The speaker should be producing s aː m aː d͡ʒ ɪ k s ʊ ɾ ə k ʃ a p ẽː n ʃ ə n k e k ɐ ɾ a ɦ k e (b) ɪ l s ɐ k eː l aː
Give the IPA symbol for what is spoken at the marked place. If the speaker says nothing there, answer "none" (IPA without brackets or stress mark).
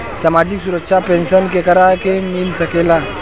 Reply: m